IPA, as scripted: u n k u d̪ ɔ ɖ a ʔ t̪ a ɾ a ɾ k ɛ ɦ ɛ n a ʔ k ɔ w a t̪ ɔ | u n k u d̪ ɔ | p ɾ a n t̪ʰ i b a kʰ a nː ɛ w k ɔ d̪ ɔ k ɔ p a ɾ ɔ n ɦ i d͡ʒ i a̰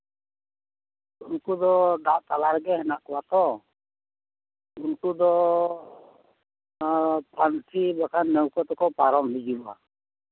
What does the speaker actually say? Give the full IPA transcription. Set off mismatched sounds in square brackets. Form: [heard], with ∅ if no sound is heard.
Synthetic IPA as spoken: u n k u d̪ ɔ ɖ a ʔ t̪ a [l] a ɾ [ɡ] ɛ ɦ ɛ n a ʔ k ɔ w a t̪ ɔ | u n k u d̪ ɔ | p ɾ a n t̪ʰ i b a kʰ a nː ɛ w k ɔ [t̪] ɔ k ɔ p a ɾ ɔ [m] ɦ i d͡ʒ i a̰